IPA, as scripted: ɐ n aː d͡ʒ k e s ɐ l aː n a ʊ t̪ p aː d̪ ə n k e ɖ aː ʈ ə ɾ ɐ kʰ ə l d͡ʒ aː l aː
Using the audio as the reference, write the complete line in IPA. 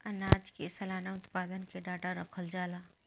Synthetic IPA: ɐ n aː d͡ʒ k e s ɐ l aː n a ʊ t̪ p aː d̪ ə n k e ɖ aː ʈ a ɾ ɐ kʰ ə l d͡ʒ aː l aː